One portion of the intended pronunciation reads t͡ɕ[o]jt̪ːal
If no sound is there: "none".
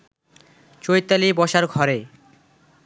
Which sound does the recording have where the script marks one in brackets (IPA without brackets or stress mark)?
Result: o